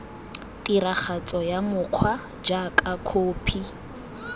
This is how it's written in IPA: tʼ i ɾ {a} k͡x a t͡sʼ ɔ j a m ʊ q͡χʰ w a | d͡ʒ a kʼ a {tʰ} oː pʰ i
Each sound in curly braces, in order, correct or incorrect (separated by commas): correct, incorrect